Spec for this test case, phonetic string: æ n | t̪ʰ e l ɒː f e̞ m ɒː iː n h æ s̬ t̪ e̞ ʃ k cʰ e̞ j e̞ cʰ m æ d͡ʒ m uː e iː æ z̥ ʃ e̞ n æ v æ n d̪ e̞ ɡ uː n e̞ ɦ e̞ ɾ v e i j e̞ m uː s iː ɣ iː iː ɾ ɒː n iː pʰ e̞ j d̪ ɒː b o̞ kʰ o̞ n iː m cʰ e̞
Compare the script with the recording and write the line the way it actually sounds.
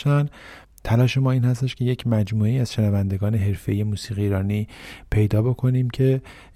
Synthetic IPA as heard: æ n | t̪ʰ æ l ɒː ʃ e̞ m ɒː iː n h æ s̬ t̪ e̞ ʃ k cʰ e̞ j e̞ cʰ m æ d͡ʒ m uː e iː æ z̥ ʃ e̞ n æ v æ n d̪ e̞ ɡ ɒː n e̞ ɦ e̞ ɾ f e i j e̞ m uː s iː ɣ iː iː ɾ ɒː n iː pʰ e̞ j d̪ ɒː b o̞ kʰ o̞ n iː m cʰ e̞